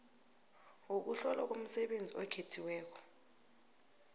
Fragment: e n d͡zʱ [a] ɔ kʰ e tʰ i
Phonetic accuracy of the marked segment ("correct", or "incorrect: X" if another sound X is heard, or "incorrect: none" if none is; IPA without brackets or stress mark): incorrect: i